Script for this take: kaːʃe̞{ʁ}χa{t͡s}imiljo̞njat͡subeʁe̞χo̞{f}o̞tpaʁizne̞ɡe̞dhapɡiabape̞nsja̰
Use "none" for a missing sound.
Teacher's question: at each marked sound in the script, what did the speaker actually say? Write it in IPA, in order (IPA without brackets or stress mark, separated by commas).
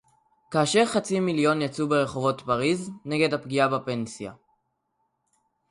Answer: ʁ, t͡s, v